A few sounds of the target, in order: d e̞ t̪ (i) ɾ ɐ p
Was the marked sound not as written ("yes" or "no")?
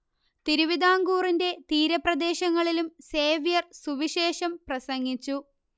yes